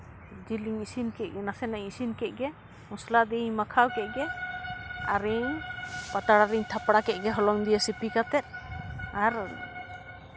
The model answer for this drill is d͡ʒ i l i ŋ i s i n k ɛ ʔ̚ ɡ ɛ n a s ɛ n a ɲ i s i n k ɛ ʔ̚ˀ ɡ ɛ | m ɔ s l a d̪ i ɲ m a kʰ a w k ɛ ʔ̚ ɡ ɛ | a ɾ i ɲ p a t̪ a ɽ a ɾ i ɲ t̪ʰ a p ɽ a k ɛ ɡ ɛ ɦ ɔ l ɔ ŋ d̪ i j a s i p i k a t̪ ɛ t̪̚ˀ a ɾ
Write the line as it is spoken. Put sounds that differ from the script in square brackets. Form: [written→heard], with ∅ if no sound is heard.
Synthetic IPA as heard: d͡ʒ i l i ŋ i s i n k ɛ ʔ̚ ɡ ɛ n a s ɛ n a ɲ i s i n k ɛ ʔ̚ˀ ɡ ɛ | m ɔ s l a d̪ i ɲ m a kʰ a w k ɛ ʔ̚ ɡ ɛ | a ɾ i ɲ p a t̪ a ɽ a ɾ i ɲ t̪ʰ a p ɽ a k ɛ ɡ ɛ ɦ ɔ l ɔ ŋ d̪ i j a s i p i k a t̪ ɛ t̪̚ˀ a ɾ